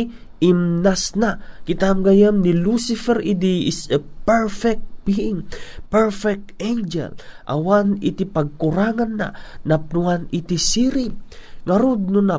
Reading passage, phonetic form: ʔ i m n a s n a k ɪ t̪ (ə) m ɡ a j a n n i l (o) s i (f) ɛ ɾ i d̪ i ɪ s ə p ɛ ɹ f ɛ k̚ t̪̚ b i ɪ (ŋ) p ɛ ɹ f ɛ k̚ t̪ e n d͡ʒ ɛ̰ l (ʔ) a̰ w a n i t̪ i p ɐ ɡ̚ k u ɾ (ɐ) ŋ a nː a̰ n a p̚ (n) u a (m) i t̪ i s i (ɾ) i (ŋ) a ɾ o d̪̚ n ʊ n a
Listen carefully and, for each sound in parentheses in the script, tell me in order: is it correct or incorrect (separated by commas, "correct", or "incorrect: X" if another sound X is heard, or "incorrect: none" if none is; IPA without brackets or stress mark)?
incorrect: a, incorrect: u, correct, correct, correct, incorrect: a, correct, incorrect: n, correct, correct